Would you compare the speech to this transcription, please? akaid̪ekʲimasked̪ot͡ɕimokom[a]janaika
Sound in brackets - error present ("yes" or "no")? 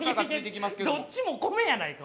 yes